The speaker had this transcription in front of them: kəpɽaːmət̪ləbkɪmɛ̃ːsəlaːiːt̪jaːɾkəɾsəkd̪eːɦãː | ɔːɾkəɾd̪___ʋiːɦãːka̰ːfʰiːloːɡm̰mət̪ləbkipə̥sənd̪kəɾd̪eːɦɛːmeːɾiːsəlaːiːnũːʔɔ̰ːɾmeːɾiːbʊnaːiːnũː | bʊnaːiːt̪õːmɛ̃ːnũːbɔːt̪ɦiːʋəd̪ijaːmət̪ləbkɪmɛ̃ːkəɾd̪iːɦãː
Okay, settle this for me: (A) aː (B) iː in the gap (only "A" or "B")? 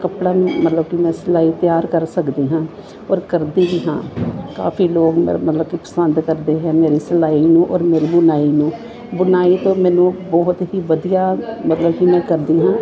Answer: B